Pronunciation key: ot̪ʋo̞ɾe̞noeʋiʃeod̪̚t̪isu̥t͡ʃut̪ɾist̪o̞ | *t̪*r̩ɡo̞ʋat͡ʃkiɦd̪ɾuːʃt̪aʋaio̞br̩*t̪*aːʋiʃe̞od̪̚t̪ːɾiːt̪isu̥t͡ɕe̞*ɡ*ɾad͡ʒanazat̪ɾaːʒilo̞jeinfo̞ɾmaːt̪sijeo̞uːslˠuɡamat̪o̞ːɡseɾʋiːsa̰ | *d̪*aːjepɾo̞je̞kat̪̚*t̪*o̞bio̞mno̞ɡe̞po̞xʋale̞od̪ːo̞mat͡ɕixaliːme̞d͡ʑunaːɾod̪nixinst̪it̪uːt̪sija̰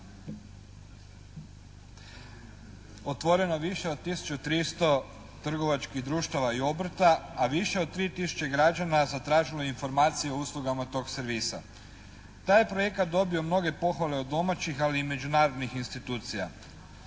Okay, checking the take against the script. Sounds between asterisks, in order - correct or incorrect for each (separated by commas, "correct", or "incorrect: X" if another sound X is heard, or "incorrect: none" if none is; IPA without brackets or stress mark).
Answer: correct, correct, correct, incorrect: t̪, incorrect: d̪